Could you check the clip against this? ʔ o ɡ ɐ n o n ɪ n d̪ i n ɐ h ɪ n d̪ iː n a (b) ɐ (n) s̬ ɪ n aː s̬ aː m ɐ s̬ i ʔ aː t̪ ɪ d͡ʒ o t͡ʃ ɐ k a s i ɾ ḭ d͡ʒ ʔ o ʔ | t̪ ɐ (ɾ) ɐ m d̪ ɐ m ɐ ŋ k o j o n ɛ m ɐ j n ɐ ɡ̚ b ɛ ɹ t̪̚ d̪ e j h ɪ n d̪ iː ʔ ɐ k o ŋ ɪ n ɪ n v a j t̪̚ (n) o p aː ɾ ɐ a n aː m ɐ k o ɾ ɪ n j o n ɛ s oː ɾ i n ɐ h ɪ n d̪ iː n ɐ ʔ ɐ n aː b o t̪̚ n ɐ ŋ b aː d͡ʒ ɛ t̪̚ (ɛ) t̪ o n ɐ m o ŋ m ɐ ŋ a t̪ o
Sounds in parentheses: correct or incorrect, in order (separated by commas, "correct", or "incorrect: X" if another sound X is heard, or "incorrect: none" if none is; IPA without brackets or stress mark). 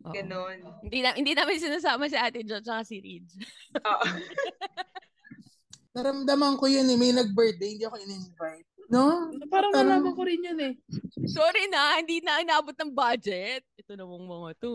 incorrect: m, correct, correct, correct, correct